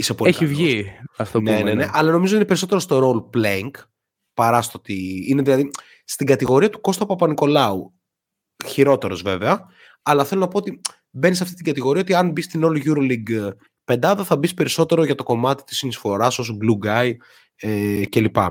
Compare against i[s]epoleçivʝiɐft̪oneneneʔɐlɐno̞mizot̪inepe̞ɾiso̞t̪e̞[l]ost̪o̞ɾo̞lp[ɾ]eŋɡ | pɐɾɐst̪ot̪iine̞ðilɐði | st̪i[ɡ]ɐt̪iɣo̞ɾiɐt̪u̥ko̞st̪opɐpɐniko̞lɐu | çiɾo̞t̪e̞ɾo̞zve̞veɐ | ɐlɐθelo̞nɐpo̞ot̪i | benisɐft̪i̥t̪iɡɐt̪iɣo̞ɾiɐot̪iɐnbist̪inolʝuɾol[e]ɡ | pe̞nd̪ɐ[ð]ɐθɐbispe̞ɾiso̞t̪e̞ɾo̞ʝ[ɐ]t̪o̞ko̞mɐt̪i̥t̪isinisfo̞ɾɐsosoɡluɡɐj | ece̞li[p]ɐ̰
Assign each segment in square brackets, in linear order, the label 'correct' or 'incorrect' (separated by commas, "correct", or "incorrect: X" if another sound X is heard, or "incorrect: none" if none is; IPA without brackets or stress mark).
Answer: correct, incorrect: ɾ, incorrect: l, correct, incorrect: i, correct, correct, correct